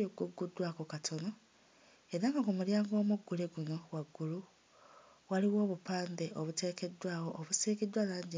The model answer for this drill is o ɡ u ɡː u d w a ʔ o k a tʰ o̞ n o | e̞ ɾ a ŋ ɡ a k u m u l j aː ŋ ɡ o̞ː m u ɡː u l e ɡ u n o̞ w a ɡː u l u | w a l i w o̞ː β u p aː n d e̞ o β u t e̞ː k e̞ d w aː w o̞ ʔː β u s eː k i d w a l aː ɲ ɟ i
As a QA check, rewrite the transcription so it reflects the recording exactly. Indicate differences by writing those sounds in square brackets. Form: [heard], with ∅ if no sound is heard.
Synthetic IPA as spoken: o ɡ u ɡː u d w a [k] o k a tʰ o̞ n o | e̞ ɾ a ŋ ɡ a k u m u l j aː ŋ ɡ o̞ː m u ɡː u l e ɡ u n o̞ w a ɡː u l u | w a l i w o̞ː β u p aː n d e̞ o β u t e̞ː k e̞ d w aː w o̞ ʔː β u s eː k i d w a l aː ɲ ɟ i